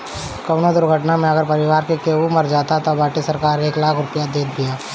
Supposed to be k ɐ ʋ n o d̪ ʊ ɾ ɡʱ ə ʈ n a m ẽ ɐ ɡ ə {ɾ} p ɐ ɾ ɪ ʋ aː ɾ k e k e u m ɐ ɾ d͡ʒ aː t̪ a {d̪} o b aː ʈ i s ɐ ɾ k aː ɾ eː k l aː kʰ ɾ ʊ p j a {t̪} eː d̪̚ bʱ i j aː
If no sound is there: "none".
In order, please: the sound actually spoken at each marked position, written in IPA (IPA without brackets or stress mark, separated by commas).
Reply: ɾ, t̪, d̪